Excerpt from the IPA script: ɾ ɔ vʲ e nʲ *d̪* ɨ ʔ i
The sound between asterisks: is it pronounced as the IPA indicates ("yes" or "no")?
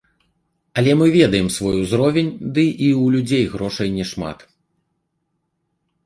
yes